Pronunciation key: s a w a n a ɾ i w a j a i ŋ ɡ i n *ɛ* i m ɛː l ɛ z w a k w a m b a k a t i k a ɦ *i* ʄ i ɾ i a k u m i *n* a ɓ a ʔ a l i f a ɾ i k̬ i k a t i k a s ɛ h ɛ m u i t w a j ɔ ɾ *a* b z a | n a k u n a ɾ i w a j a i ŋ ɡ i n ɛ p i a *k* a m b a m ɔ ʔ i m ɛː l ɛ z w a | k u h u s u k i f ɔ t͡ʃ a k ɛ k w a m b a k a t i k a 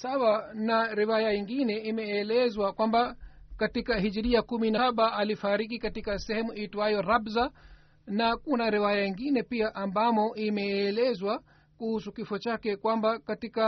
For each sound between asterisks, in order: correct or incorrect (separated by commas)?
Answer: correct, correct, correct, correct, incorrect